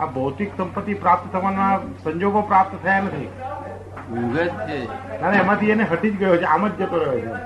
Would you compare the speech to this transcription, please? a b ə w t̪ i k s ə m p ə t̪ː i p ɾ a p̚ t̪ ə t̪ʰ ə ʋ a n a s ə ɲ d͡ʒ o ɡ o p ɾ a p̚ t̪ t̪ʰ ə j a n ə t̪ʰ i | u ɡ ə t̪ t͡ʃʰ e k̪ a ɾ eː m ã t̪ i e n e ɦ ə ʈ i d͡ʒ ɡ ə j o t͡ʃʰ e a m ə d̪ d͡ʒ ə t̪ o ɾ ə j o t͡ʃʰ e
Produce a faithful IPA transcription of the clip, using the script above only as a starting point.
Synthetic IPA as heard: a b ə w t̪ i k s ə m p ə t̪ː i p ɾ a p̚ t̪ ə t̪ʰ ə ʋ a n a s ə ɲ d͡ʒ o ɡ o p ɾ a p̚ t̪ t̪ʰ ə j a n ə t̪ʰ i | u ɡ ə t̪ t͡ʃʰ e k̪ a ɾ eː m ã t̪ i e n e ɦ ə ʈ i d͡ʒ ɡ ə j o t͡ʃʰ e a m ə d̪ d͡ʒ ə t̪ o ɾ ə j o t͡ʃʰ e